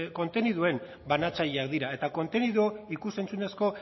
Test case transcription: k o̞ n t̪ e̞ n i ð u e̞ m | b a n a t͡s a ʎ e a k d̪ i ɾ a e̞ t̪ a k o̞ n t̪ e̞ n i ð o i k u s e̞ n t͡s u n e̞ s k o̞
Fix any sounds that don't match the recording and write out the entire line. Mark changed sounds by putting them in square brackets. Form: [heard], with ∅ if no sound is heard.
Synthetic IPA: k o̞ n t̪ e̞ n i ð u e̞ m | b a n a t͡s a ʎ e a k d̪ i ɾ a e̞ t̪ a k o̞ n t̪ e̞ n i ð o i k u s e̞ n t͡s u n e̞ s k o̞

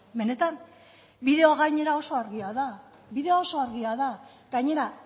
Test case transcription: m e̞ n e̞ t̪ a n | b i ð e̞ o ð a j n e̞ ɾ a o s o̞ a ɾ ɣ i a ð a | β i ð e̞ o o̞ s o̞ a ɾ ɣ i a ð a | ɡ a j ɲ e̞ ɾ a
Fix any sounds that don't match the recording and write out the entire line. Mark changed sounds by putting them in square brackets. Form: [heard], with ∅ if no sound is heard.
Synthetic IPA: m e̞ n e̞ t̪ a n | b i ð e̞ o [ɣ] a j [ɲ] e̞ ɾ a o s o̞ a ɾ ɣ i a ð a | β i ð e̞ o o̞ s o̞ a ɾ ɣ i a ð a | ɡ a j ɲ e̞ ɾ a

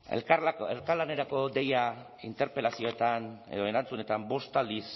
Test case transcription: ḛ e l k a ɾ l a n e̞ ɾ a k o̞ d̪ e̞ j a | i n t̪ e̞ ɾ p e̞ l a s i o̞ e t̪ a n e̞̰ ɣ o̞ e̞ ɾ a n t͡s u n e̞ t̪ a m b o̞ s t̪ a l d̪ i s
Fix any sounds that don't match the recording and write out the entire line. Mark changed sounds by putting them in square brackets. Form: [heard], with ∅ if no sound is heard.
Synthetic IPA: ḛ e l k a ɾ l a n e̞ ɾ a k o̞ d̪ e̞ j a | i n t̪ e̞ ɾ p e̞ l a s i o̞ e t̪ a n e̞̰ [ð] o̞ e̞ ɾ a n t͡s u n e̞ t̪ a m b o̞ s t̪ a l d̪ i s

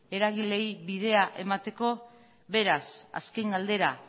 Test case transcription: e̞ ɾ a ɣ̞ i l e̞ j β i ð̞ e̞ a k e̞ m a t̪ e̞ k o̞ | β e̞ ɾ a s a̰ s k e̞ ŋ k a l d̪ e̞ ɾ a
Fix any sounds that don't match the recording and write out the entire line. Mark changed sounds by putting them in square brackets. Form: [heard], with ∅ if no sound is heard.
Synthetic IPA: e̞ ɾ a ɣ̞ i l e̞ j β i ð̞ e̞ a [ʔ] e̞ m a t̪ e̞ k o̞ | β e̞ ɾ a s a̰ s k e̞ ŋ [ɡ] a l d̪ e̞ ɾ a

